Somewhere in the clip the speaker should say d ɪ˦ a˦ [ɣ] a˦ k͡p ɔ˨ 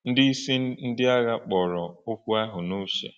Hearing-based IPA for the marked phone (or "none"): ɣ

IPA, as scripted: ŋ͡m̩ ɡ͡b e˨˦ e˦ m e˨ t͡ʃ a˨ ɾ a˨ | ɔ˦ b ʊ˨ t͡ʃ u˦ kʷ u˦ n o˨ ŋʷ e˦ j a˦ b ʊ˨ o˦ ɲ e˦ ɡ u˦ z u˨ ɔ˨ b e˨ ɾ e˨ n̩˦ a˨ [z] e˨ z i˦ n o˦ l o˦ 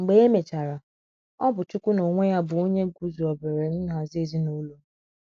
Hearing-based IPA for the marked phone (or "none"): z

